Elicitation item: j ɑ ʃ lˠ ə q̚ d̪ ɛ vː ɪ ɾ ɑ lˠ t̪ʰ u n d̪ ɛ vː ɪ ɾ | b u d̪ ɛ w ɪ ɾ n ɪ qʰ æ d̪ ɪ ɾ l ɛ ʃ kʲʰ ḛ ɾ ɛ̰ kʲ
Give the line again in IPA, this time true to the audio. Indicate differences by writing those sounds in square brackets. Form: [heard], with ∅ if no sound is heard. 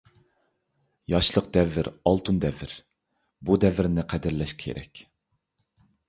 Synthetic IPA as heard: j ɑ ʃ lˠ ə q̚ d̪ ɛ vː ɪ ɾ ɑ lˠ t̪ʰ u n d̪ ɛ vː ɪ ɾ | b u d̪ ɛ [v] ɪ ɾ n ɪ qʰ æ d̪ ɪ ɾ l ɛ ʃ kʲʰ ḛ ɾ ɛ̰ kʲ